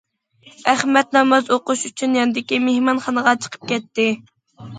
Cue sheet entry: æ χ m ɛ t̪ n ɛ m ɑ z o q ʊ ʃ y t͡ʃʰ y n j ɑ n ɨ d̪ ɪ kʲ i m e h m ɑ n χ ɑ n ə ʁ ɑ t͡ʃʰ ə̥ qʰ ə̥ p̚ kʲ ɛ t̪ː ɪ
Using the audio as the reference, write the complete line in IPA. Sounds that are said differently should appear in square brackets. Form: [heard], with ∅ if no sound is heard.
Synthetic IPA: æ χ m ɛ t̪ n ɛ m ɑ z o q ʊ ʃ y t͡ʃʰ y n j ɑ n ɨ d̪ ɪ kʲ i m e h m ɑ n χ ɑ n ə ʁ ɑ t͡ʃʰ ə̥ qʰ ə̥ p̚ kʲ ɛ t̪ː ɪ